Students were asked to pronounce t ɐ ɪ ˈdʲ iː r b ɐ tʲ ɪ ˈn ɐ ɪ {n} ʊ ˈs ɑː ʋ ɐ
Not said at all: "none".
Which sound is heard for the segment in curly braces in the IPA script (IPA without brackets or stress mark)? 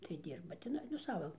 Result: n